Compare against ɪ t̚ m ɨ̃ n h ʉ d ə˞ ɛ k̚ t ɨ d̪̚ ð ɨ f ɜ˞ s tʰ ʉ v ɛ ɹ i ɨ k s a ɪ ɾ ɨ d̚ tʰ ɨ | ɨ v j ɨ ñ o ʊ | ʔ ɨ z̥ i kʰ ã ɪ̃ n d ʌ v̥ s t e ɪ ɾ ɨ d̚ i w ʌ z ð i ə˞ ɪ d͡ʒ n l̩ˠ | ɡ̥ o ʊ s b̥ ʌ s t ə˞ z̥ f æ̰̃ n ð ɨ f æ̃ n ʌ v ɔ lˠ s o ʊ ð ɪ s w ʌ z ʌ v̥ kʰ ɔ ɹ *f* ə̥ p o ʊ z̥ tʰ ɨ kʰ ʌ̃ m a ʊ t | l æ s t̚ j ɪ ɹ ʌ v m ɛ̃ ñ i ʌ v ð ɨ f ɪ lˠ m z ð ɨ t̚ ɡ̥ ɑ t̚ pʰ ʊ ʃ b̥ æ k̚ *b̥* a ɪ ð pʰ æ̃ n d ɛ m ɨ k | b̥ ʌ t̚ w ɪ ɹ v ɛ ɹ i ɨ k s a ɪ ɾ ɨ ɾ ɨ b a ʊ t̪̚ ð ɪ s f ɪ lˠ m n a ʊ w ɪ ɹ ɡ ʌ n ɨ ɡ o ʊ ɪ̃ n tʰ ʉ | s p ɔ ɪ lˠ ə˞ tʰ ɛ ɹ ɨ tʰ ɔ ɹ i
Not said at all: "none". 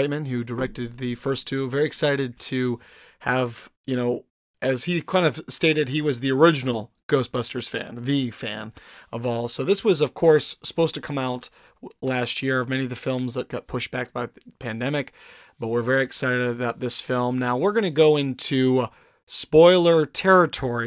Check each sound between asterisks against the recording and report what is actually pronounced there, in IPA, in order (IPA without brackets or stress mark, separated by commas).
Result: s, b̥